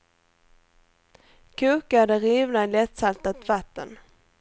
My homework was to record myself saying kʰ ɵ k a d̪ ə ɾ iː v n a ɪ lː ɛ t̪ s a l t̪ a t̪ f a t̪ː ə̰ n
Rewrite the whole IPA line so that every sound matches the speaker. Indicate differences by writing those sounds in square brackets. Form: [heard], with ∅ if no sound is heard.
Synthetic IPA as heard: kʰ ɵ k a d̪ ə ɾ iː v n a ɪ [l] ɛ t̪ s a l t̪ a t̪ [v] a t̪ː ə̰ n